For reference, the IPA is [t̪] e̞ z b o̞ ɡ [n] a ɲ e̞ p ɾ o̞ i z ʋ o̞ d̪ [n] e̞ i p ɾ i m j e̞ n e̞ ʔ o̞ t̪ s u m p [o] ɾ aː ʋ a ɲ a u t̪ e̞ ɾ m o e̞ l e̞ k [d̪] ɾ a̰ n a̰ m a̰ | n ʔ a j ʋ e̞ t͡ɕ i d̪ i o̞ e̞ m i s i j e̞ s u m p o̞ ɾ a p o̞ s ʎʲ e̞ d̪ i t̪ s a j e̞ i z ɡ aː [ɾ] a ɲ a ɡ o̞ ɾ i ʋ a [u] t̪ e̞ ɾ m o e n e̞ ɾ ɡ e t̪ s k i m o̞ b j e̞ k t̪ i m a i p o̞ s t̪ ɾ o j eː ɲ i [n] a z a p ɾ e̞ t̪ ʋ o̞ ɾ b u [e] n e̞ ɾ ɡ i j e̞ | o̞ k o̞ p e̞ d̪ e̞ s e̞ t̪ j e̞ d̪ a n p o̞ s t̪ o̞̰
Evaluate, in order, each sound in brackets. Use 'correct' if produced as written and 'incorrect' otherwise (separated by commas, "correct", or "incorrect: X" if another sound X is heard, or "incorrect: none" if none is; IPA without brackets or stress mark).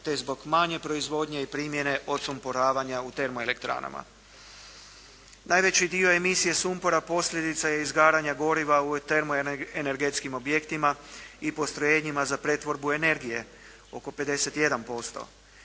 correct, incorrect: m, incorrect: ɲ, correct, incorrect: t̪, correct, correct, incorrect: m, correct